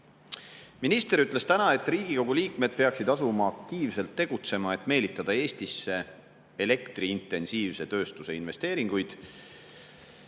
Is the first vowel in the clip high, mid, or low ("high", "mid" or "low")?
high